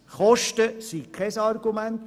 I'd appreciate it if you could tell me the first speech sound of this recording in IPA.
χ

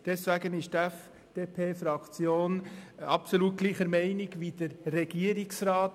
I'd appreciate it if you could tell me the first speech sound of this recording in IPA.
d̥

